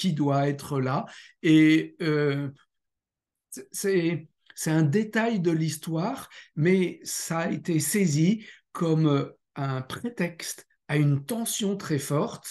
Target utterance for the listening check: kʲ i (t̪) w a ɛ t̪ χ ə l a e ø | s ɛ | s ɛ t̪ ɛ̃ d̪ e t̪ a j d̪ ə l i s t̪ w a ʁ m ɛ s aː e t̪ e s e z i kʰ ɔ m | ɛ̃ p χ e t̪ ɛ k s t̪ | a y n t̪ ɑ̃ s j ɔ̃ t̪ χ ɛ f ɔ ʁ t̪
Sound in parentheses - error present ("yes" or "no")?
yes